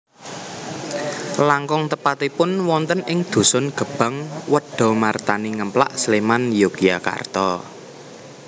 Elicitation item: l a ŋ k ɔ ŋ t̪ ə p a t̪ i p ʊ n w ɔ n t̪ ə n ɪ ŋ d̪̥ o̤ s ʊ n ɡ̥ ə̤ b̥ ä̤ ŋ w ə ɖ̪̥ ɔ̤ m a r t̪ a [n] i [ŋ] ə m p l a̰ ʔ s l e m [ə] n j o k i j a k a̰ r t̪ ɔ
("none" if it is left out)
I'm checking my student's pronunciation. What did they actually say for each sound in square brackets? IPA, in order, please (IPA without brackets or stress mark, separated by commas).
n, ŋ, a